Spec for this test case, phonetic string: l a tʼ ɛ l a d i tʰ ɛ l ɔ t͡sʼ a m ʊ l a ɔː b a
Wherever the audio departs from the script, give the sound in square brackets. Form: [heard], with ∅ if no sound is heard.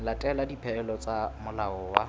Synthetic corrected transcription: l a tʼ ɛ l a d i [pʰ] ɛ l ɔ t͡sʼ a m ʊ l a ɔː [w] a